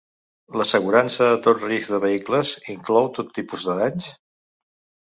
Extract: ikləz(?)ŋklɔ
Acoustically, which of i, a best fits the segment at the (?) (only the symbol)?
i